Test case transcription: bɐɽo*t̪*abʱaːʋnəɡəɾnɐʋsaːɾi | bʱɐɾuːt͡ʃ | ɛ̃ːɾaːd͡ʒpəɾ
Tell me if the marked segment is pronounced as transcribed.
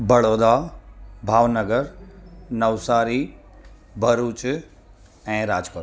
no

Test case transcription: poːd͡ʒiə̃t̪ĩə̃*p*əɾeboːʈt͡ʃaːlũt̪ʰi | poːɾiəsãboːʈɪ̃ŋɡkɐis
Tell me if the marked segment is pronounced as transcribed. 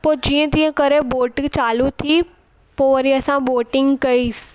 no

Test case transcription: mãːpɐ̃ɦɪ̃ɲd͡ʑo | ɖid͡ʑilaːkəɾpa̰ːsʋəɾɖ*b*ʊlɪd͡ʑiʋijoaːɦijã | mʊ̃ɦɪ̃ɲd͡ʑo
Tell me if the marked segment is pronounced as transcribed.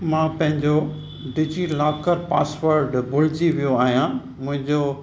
yes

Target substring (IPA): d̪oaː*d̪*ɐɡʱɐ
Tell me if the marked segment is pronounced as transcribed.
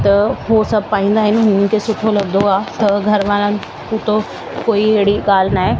no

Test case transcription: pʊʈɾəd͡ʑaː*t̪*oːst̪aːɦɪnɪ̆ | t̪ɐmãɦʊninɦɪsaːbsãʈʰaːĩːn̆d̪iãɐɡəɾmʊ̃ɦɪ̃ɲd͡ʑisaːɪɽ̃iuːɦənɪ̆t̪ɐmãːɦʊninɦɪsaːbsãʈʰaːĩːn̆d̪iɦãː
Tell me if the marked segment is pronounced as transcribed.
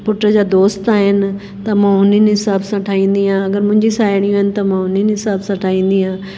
no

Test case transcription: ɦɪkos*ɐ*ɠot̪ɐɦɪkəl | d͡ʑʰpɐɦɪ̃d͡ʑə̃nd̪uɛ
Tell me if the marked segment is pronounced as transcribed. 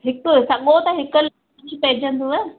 yes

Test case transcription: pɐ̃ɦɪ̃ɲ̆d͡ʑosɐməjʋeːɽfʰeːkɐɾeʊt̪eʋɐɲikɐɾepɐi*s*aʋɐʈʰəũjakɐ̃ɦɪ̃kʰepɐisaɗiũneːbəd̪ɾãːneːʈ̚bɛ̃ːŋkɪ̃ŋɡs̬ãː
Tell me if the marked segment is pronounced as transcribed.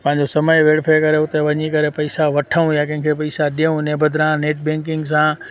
yes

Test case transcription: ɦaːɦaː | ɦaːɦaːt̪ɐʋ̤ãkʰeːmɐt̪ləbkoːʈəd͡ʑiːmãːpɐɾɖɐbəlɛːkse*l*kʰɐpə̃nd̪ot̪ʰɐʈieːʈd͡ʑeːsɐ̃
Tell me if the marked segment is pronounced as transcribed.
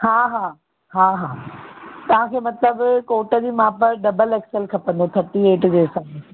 yes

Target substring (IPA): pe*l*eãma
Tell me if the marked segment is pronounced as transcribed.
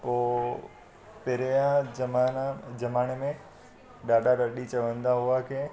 no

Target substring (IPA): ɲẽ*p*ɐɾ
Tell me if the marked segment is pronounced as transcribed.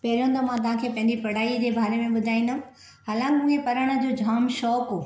yes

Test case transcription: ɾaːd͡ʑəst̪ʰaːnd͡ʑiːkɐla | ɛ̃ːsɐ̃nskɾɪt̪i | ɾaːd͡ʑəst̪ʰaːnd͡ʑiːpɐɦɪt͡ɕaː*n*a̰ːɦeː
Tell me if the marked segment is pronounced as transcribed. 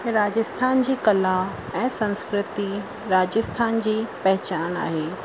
yes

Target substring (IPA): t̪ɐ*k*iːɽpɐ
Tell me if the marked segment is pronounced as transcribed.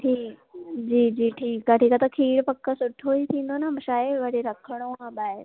no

